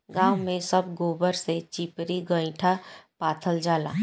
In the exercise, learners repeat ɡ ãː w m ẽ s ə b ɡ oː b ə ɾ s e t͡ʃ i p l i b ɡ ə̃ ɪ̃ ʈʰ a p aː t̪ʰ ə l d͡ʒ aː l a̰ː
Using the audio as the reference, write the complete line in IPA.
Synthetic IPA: ɡ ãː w m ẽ s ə b ɡ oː b ə ɾ s e t͡ʃ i p ɾ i ɡ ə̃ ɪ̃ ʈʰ a p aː t̪ʰ ə l d͡ʒ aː l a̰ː